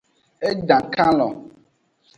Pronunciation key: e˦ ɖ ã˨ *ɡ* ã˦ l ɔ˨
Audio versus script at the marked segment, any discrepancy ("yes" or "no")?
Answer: yes